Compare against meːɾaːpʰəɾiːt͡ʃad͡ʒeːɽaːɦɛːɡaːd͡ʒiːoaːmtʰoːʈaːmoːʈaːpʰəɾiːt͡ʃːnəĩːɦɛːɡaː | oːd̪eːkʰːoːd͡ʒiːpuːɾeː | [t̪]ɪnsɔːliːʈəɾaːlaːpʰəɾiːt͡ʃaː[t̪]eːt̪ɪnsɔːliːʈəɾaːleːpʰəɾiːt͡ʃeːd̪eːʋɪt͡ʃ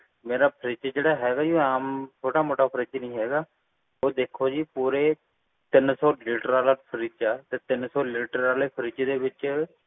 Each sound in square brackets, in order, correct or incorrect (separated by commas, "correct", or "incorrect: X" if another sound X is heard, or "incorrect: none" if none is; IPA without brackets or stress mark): correct, correct